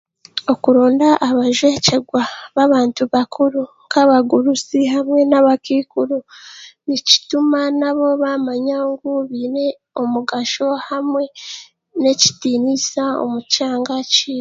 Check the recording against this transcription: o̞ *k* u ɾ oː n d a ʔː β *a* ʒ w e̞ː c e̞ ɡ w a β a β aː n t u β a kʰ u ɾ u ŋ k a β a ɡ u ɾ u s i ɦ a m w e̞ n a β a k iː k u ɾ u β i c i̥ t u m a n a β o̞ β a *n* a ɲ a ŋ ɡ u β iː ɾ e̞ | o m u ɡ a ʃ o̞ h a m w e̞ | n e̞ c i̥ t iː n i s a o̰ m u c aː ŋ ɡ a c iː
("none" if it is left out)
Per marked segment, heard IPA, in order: k, a, m

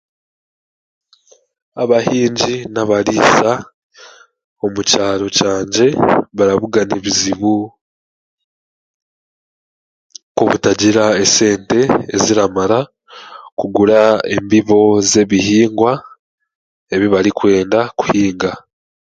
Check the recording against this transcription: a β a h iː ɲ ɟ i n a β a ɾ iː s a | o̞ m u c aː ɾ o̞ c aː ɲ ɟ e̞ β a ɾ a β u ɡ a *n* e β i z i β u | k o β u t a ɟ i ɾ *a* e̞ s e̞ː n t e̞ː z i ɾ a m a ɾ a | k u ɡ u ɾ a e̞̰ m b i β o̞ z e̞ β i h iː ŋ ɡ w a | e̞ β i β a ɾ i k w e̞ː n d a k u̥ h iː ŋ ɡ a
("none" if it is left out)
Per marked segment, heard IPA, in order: n, a

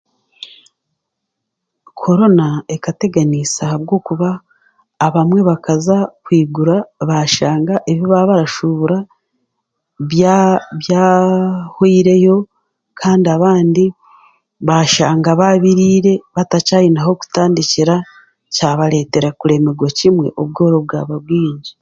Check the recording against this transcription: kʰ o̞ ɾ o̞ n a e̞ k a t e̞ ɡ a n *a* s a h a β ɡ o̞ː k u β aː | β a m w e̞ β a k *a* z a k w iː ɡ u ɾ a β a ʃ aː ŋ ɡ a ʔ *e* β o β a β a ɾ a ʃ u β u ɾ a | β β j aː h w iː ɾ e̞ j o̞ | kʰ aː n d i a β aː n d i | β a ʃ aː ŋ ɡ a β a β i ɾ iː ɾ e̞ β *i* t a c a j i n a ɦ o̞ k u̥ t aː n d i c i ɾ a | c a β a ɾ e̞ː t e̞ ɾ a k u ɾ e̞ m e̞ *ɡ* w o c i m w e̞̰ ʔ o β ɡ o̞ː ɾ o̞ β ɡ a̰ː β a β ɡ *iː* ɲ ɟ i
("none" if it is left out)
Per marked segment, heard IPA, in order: i, a, e, a, ɡ, iː

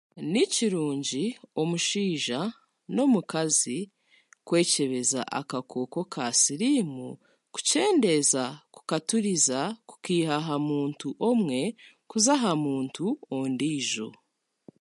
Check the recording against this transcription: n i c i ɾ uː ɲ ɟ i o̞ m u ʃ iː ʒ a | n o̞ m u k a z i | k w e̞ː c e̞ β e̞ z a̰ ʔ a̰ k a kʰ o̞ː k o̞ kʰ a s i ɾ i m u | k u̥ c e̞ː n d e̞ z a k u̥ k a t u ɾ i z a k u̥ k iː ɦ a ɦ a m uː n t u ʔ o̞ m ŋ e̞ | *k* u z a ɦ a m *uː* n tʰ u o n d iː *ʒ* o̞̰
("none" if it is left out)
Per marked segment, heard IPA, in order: k, uː, ʒ

